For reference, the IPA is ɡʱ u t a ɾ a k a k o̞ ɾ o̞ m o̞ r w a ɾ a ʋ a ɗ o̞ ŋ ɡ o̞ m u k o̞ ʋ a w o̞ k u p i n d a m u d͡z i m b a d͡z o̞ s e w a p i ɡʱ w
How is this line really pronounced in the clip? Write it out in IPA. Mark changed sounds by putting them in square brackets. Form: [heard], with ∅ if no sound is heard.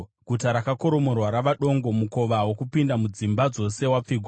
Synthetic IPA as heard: ɡʱ u t a ɾ a k a k o̞ ɾ o̞ m o̞ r w a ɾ a ʋ a ɗ o̞ ŋ ɡ o̞ m u k o̞ ʋ a w o̞ k u p i n d a m u d͡z i m b a d͡z o̞ s e w a [p͡f] i ɡʱ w